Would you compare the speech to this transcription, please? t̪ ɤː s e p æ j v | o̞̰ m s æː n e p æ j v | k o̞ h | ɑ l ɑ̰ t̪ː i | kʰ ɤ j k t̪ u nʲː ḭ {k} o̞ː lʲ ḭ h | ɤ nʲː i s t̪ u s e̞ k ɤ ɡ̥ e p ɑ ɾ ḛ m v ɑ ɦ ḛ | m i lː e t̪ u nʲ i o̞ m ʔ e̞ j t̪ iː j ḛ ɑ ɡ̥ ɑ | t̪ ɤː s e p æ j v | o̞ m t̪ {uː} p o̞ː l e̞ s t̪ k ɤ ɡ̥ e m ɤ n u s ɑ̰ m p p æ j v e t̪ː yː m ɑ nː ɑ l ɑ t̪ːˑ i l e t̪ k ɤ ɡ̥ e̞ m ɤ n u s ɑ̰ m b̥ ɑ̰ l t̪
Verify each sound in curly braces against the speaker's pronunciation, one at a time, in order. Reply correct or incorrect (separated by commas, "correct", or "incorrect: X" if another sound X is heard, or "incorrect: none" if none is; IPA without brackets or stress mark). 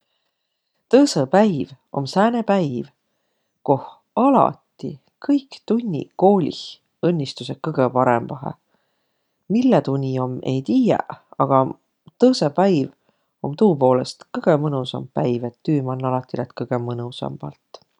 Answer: correct, correct